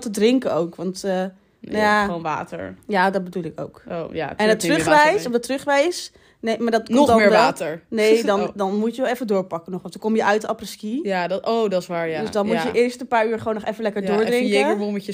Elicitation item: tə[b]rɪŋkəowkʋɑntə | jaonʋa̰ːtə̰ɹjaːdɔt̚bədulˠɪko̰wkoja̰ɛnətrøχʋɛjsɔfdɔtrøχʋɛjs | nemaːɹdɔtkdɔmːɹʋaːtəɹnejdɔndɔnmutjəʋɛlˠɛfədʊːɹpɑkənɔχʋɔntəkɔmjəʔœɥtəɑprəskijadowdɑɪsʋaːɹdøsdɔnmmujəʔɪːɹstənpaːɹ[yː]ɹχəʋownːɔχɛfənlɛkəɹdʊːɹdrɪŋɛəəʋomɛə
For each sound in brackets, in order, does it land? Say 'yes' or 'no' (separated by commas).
no, yes